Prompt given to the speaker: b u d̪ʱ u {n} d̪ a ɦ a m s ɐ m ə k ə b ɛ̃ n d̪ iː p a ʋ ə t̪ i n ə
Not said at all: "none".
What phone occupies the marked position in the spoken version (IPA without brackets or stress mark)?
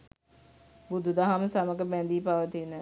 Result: none